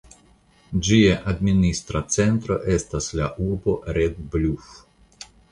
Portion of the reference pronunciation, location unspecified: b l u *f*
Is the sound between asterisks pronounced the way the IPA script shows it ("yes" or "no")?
yes